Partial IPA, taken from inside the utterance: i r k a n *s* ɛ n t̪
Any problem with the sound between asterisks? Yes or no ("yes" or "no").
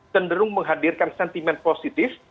no